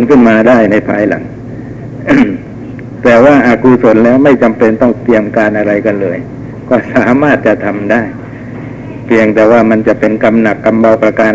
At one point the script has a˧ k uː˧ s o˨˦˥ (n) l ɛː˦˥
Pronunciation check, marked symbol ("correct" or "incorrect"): correct